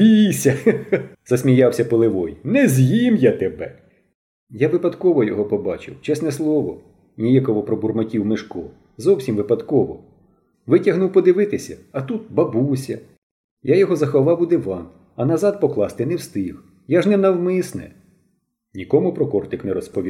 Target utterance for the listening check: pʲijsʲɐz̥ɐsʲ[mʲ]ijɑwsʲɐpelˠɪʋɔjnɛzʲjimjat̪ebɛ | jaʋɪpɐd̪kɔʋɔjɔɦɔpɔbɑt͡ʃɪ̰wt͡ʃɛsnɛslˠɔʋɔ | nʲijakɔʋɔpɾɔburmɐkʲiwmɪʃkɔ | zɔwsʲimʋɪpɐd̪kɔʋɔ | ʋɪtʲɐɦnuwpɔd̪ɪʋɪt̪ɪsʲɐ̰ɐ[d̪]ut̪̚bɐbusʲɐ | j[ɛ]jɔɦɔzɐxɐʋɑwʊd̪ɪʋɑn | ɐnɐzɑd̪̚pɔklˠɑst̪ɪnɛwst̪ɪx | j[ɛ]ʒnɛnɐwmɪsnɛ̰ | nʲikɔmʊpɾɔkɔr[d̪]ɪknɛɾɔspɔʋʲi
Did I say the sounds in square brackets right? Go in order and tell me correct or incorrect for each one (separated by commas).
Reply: correct, incorrect, incorrect, incorrect, incorrect